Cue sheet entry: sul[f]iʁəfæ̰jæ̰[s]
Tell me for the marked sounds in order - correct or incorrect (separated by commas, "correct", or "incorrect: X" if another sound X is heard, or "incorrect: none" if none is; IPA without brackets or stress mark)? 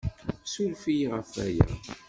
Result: correct, incorrect: none